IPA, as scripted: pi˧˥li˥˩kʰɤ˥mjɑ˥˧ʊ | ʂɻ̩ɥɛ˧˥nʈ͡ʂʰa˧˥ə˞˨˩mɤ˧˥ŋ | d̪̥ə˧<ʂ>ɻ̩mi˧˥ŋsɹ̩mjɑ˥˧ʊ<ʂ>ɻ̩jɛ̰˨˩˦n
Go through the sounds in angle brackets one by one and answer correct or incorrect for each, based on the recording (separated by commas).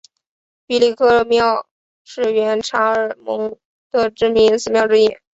incorrect, incorrect